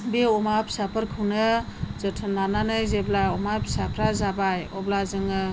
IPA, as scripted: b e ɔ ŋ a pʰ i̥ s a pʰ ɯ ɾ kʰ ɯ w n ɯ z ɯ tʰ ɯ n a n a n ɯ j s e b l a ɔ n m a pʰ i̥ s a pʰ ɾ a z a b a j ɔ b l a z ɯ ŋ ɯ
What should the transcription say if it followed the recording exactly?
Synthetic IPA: b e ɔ m a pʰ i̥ s a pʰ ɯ ɾ kʰ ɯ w n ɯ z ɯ tʰ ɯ n a n a n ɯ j z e b l a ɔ m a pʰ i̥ s a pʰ ɾ a z a b a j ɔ b l a z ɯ ŋ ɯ